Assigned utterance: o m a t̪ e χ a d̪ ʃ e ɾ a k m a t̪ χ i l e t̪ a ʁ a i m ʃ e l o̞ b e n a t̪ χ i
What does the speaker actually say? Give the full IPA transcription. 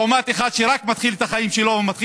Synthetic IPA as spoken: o m a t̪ e χ a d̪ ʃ e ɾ a k m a t̪ χ i l e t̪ a χ a i m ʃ e l o̞ v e m a t̪ χ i